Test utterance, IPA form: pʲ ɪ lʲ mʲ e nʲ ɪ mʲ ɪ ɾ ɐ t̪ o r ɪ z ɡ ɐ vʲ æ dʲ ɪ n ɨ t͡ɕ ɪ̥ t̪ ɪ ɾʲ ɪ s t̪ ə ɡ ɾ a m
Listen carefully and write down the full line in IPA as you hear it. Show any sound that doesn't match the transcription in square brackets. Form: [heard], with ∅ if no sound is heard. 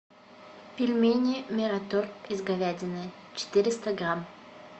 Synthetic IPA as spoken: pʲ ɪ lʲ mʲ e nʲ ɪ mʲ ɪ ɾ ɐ t̪ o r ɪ z ɡ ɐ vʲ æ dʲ ɪ n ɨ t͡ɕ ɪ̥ t̪ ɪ ɾʲ ɪ s t̪ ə ɡ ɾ a m